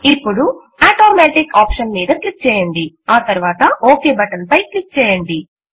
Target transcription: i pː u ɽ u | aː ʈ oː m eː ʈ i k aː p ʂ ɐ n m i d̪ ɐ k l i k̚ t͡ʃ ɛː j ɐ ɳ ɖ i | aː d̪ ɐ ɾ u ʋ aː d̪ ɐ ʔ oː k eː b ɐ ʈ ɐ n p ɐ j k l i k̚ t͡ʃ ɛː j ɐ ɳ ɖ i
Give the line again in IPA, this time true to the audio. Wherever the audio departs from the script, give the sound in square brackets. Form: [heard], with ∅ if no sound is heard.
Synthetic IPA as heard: i pː u ɽ u | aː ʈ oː m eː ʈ i k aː p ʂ ɐ n m [iː] d̪ ɐ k l i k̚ t͡ʃ ɛː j ɐ ɳ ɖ i | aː [t̪] ɐ ɾ u ʋ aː [t̪] ɐ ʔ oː k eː b ɐ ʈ ɐ n p ɐ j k l i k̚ t͡ʃ ɛː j ɐ ɳ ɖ i